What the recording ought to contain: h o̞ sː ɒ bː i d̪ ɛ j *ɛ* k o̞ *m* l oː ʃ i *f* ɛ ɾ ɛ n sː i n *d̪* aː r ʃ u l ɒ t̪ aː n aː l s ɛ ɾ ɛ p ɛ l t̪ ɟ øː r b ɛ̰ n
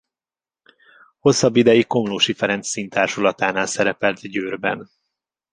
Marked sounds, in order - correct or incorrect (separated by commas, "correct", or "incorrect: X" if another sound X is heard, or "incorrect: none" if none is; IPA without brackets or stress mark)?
incorrect: i, correct, correct, incorrect: t̪